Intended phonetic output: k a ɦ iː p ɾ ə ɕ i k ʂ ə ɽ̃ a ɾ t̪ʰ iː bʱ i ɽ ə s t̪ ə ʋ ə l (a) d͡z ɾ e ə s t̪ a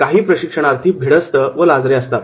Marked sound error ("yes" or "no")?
no